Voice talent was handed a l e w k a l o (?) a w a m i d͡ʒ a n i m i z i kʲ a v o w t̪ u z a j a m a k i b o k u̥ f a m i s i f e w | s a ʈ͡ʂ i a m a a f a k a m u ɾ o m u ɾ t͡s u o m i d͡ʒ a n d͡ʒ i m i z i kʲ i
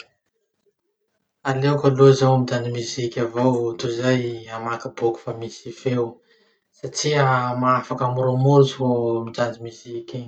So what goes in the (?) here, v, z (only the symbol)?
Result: z